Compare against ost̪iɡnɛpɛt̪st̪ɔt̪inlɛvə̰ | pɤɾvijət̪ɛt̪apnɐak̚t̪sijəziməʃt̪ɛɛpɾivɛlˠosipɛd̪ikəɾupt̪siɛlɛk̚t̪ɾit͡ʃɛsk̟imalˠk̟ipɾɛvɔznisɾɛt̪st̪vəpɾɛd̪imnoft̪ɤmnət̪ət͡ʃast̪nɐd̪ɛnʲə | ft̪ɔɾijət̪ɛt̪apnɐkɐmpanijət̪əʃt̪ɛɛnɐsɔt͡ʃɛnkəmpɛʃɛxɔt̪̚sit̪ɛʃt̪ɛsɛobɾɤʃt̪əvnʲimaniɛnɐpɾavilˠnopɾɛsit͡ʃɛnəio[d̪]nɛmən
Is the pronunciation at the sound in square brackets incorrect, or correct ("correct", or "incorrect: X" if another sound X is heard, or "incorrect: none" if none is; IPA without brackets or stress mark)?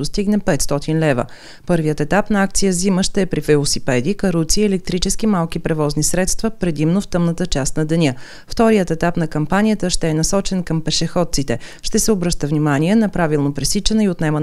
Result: incorrect: t̪